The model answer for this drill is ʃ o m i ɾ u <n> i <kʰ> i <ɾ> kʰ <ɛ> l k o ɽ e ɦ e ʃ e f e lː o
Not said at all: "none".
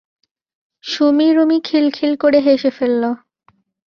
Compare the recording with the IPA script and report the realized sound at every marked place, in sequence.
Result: m, kʰ, l, i

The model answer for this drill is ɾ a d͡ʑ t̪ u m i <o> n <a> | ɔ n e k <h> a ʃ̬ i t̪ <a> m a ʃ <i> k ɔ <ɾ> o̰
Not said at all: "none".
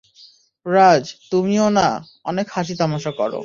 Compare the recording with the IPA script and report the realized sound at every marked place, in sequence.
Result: o, a, h, a, a, ɾ

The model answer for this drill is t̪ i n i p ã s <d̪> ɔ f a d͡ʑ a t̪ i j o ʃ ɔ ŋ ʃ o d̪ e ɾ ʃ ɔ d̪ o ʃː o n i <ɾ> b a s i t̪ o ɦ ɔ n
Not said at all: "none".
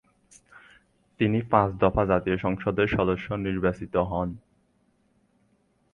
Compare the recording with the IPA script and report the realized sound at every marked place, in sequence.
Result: d̪, ɾ

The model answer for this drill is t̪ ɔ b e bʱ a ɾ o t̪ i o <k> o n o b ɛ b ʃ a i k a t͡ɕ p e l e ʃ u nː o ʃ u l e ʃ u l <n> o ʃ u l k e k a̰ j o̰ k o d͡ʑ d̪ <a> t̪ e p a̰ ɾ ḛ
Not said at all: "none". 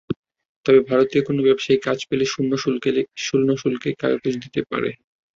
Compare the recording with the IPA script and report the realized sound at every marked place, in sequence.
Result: k, n, i

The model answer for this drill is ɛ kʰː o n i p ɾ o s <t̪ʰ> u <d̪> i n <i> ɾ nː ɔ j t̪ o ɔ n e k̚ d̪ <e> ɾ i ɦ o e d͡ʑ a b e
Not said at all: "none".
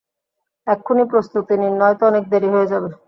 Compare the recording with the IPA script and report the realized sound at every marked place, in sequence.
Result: t̪, t̪, i, e

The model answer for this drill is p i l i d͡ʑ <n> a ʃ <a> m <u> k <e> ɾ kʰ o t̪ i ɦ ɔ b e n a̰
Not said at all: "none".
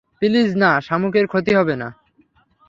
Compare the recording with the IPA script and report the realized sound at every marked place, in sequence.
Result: n, a, u, e

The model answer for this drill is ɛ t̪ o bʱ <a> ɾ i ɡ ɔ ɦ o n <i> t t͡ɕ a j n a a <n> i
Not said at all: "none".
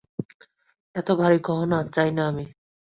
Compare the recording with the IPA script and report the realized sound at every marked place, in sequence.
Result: a, a, m

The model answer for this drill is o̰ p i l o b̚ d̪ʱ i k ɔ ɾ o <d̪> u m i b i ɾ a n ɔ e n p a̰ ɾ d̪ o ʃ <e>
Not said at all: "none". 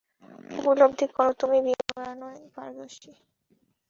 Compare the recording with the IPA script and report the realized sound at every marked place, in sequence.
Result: t̪, i

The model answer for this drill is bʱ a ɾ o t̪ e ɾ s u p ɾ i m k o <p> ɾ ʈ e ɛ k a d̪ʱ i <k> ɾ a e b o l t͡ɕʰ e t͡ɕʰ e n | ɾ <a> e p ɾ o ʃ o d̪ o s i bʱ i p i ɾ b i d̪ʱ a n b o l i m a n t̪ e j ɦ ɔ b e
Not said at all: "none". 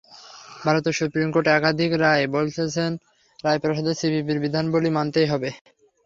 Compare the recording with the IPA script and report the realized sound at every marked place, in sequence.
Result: none, k, a

